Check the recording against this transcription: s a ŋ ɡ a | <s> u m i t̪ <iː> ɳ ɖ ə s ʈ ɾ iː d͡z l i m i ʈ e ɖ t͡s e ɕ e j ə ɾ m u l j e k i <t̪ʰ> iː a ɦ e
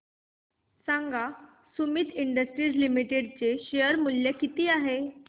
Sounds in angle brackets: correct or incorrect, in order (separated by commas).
correct, incorrect, incorrect